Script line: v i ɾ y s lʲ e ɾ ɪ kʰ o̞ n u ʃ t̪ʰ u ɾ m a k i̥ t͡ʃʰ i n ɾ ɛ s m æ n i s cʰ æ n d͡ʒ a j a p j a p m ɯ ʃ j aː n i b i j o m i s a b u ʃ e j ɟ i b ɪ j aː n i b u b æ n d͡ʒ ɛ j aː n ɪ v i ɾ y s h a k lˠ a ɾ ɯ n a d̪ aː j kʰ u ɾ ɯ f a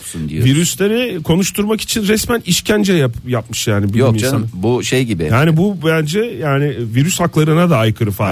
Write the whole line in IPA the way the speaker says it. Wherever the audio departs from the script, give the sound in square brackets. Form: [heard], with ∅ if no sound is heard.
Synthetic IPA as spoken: v i ɾ y s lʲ e ɾ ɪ kʰ o̞ n u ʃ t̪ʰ u ɾ m a k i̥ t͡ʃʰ i n ɾ ɛ s m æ n i [ʃ] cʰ æ n d͡ʒ [ɛ] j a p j a p m ɯ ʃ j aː n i b i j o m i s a b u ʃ e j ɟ i b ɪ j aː n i b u b æ n d͡ʒ ɛ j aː n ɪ v i ɾ y s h a k lˠ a ɾ ɯ n a d̪ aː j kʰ [ɯ] ɾ ɯ f a